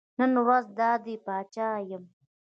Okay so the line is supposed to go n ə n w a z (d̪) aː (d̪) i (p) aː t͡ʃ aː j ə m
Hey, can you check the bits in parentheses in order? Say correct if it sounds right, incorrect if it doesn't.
correct, correct, correct

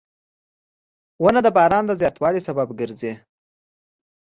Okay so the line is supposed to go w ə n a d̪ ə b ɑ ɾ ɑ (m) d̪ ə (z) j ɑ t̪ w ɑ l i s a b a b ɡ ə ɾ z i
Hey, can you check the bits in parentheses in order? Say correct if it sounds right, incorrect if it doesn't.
incorrect: n, correct

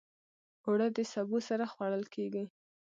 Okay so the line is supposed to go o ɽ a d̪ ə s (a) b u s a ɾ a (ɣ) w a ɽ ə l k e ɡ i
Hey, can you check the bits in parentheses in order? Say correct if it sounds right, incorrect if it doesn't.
correct, incorrect: x

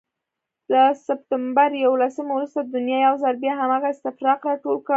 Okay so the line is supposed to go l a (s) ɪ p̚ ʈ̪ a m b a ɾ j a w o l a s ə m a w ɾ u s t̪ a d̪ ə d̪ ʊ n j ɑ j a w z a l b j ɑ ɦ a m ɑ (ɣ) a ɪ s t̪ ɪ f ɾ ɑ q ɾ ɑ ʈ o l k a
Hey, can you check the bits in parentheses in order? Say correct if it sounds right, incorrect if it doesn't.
correct, correct

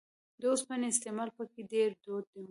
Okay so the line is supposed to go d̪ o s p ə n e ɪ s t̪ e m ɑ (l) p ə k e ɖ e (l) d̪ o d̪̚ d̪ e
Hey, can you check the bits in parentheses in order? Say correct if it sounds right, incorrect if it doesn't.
correct, incorrect: ɾ

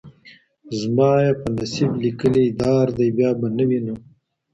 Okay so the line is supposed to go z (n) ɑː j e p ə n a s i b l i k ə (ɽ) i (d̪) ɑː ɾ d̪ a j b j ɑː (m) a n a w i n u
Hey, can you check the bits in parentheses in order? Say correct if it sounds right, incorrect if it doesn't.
incorrect: m, incorrect: l, correct, incorrect: b

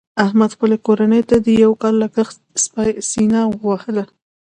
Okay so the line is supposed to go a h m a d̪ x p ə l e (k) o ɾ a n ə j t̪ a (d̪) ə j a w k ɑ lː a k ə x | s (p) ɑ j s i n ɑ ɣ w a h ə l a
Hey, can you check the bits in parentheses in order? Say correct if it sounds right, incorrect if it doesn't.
correct, correct, correct

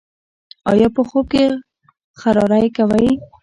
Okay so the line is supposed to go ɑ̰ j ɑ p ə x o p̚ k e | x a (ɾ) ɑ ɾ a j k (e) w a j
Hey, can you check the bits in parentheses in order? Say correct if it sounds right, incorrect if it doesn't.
correct, incorrect: a

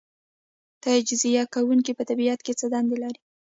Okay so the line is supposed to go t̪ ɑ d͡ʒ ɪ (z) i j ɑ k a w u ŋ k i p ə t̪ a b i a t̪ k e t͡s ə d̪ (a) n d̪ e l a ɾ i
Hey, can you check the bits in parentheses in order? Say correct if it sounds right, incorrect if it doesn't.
correct, incorrect: ɑ

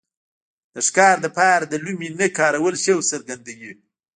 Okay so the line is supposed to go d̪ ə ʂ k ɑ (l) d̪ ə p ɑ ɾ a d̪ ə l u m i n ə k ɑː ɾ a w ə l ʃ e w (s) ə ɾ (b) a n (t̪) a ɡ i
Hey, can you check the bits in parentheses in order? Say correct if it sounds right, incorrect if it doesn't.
incorrect: ɾ, correct, incorrect: ɡ, incorrect: d̪

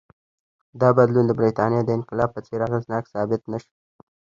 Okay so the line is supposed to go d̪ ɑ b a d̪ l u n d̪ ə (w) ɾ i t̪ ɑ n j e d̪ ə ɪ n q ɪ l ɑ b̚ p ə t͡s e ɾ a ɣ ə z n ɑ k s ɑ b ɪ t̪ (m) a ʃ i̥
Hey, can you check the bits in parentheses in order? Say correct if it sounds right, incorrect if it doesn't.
incorrect: b, incorrect: n

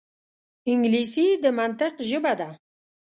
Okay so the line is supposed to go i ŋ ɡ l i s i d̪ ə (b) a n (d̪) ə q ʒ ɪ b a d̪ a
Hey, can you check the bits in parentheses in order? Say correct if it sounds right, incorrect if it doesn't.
incorrect: m, incorrect: t̪

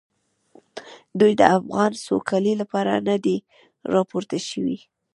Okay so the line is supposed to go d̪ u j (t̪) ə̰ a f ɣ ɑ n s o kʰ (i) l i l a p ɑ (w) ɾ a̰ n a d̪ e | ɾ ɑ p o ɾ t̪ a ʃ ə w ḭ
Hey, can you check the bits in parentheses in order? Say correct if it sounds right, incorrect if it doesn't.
incorrect: d̪, incorrect: a, incorrect: none

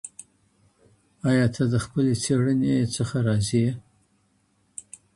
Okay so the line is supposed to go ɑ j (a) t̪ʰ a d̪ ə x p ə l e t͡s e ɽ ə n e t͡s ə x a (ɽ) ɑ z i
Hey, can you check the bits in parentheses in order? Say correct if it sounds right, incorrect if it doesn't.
incorrect: ɑ, incorrect: ɾ

